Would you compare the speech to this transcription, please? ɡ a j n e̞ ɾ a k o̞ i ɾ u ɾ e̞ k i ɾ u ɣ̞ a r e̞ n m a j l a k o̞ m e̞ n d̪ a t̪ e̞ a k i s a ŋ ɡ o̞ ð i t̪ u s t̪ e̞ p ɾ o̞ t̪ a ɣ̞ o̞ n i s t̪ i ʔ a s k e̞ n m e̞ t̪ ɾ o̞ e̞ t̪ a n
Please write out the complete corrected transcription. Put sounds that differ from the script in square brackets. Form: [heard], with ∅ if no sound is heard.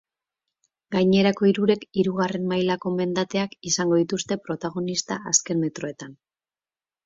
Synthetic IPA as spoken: ɡ a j [ɲ] e̞ ɾ a k o̞ i ɾ u ɾ e̞ k i ɾ u ɣ̞ a r e̞ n m a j l a k o̞ m e̞ n d̪ a t̪ e̞ a k i s a ŋ ɡ o̞ ð i t̪ u s t̪ e̞ p ɾ o̞ t̪ a ɣ̞ o̞ n i s t̪ [a] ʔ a s k e̞ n m e̞ t̪ ɾ o̞ e̞ t̪ a n